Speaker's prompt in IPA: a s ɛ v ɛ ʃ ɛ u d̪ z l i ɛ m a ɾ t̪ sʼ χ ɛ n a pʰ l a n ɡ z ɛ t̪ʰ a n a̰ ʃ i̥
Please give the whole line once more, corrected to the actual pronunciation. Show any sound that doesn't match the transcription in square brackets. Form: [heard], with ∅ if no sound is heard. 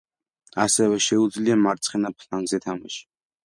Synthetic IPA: a s ɛ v ɛ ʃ ɛ u d̪ z l i [a] m a ɾ t̪ sʼ χ ɛ n a pʰ l a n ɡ z ɛ t̪ʰ a [m] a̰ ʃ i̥